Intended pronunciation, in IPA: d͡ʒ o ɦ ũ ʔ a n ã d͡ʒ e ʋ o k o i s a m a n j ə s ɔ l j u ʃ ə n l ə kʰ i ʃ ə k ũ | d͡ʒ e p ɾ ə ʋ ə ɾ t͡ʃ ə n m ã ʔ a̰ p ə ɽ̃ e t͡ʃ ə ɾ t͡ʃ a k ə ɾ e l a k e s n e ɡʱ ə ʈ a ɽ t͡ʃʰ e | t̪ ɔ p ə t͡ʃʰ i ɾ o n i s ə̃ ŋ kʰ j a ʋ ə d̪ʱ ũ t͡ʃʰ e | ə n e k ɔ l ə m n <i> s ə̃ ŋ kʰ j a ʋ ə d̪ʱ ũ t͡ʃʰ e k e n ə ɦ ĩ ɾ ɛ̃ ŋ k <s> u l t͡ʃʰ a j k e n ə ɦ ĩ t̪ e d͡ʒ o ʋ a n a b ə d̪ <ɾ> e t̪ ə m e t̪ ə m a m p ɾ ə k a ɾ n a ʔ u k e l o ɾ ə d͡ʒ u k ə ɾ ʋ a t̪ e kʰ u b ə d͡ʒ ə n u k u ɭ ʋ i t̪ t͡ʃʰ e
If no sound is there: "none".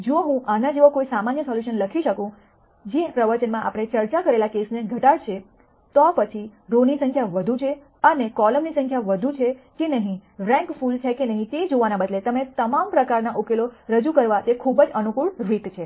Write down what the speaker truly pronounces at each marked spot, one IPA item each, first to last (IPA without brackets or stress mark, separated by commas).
i, f, l